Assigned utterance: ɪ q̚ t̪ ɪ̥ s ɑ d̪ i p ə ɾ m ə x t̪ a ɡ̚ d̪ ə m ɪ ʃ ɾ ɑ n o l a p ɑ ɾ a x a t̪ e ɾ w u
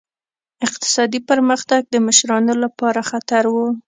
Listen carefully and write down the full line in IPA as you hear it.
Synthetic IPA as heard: ɪ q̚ t̪ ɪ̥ s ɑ d̪ i p ə ɾ m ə x t̪ a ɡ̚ d̪ ə m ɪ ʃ ɾ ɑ n o l a p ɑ ɾ a x a t̪ a ɾ w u